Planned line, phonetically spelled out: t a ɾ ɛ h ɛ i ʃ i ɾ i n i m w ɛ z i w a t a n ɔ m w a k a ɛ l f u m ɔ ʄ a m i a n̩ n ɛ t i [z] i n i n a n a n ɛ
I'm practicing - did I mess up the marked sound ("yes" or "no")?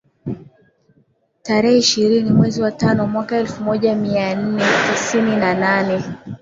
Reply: yes